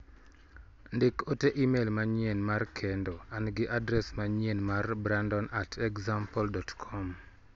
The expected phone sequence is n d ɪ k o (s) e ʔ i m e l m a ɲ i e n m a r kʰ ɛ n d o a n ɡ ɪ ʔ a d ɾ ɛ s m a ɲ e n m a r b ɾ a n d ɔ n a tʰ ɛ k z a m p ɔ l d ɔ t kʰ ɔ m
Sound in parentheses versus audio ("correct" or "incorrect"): incorrect